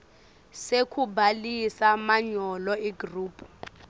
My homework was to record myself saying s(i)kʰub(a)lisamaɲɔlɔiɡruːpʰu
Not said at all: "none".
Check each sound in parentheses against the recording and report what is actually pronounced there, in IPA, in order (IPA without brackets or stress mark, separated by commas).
e, a